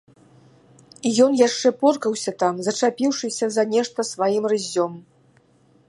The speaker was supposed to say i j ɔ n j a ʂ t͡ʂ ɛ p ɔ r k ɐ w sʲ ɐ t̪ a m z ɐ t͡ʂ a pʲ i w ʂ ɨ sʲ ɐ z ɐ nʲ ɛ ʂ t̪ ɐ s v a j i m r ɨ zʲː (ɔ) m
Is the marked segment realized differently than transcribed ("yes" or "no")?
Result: no